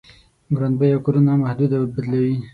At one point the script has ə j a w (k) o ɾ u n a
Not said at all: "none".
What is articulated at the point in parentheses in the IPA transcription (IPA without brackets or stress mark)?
k